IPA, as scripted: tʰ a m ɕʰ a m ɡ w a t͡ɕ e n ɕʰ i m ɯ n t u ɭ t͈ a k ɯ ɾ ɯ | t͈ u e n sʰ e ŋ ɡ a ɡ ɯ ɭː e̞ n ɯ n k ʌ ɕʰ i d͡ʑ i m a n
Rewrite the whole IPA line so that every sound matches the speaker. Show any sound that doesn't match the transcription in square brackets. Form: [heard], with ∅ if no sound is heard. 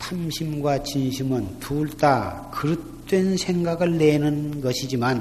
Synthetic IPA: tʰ a m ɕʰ [i] m ɡ w a t͡ɕ [i] n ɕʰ i m ɯ n t u ɭ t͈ a k ɯ ɾ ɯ | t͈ [w] e n sʰ e ŋ ɡ a ɡ ɯ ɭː e̞ n ɯ n [ɡ] ʌ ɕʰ i d͡ʑ i m a n